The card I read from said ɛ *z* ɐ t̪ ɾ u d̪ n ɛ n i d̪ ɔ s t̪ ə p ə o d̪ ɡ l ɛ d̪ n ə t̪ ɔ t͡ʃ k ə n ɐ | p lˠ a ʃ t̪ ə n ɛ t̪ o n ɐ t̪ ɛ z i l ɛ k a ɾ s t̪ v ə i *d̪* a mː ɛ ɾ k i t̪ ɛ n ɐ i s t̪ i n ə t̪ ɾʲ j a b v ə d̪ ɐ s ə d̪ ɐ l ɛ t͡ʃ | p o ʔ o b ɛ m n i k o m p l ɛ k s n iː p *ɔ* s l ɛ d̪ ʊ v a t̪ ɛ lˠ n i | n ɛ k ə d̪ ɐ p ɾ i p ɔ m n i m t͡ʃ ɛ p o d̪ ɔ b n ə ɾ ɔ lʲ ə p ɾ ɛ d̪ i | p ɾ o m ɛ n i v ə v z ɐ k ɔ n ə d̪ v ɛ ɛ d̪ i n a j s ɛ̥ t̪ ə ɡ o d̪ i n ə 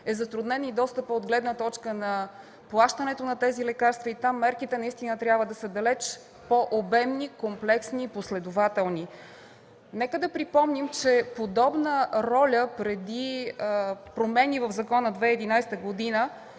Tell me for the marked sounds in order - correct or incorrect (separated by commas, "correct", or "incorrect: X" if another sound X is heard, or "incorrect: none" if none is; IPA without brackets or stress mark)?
correct, incorrect: t̪, incorrect: o